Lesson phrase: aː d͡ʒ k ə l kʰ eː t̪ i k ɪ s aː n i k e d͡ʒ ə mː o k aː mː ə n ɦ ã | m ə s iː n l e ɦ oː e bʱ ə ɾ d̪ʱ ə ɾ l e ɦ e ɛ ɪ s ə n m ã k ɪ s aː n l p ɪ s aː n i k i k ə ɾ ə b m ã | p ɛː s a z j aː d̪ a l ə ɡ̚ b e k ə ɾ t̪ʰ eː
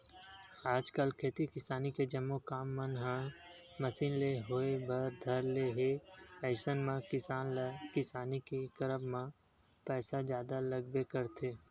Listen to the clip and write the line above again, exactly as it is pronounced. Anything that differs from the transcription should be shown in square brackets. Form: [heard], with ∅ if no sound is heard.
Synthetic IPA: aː d͡ʒ k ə l kʰ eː t̪ i k ɪ s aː n i k e d͡ʒ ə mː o k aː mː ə n ɦ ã | m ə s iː n l e ɦ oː e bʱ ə ɾ d̪ʱ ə ɾ l e ɦ e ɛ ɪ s ə n m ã k ɪ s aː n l [k] ɪ s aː n i k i k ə ɾ ə b m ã | p ɛː s a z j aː d̪ a l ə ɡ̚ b e k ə ɾ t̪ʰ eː